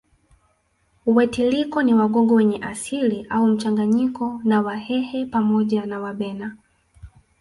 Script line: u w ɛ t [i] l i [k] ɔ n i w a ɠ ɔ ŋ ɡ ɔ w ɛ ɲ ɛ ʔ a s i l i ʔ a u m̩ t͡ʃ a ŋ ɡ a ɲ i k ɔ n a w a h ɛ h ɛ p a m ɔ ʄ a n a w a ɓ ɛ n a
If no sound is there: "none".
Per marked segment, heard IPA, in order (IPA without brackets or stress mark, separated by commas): i, k